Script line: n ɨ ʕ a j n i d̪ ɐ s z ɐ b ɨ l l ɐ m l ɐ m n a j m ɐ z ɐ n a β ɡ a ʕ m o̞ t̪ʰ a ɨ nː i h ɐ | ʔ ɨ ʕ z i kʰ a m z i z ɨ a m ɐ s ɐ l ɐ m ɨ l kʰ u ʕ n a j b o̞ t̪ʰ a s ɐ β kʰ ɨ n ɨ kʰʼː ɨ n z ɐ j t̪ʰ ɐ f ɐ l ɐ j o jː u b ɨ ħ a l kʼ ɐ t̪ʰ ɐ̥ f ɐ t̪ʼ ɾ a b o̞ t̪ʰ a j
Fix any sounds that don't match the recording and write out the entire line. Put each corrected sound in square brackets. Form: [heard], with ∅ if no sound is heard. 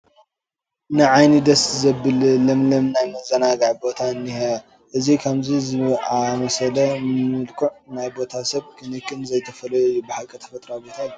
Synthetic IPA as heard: n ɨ ʕ a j n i d̪ ɐ s z ɐ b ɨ l l ɐ m l ɐ m n a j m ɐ z ɐ n a [∅] ɡ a ʕ [b] o̞ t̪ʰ a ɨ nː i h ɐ | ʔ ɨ [∅] z i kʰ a m z i z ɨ a m ɐ s ɐ l ɐ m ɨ l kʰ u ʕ n a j b o̞ t̪ʰ a s ɐ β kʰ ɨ n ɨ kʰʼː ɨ n z ɐ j t̪ʰ ɐ f ɐ l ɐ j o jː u b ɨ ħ a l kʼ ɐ t̪ʰ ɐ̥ f ɐ t̪ʼ ɾ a b o̞ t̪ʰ a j